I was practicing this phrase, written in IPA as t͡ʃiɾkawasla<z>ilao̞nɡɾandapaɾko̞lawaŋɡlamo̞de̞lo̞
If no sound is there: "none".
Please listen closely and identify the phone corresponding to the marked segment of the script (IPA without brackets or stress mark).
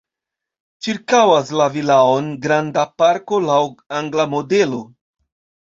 v